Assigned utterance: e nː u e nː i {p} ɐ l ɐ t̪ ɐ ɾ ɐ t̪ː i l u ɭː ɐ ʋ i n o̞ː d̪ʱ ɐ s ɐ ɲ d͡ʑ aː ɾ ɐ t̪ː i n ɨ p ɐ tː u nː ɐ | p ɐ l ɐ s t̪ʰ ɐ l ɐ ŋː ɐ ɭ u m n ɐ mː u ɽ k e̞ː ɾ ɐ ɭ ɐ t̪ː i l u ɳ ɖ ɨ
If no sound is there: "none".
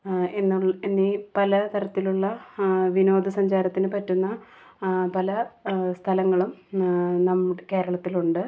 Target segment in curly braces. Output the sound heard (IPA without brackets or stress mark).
p